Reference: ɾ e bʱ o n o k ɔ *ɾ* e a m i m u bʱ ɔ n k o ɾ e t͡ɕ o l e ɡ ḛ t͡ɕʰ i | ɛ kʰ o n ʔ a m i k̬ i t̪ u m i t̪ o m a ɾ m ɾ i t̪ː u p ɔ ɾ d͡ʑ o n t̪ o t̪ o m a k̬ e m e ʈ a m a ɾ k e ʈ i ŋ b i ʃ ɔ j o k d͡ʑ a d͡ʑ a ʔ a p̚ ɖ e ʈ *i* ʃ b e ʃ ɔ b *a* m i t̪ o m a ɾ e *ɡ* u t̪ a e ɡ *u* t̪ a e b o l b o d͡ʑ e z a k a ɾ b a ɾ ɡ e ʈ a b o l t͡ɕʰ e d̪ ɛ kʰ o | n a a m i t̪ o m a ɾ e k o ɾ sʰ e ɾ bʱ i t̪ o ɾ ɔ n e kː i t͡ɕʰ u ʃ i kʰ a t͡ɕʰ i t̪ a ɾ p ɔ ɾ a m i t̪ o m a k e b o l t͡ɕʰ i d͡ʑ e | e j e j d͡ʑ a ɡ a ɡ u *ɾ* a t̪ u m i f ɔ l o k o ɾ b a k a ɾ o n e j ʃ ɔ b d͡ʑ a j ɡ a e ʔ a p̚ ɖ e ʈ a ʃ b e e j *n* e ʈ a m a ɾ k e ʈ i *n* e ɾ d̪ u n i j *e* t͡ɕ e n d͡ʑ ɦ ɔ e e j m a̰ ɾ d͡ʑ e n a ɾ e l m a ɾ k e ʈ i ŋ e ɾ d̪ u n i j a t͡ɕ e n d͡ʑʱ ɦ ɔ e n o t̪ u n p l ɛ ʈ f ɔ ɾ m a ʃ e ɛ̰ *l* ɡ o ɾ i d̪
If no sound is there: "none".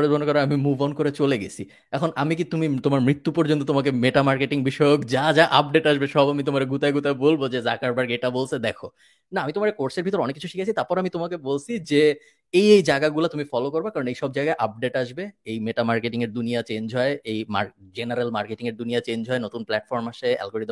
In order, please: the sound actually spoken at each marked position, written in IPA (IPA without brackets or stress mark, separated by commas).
ɾ, a, a, ɡ, u, l, m, ŋ, a, l